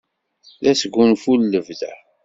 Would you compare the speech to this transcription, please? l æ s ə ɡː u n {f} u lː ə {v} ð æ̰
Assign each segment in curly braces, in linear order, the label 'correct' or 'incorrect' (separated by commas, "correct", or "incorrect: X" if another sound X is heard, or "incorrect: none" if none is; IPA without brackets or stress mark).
correct, correct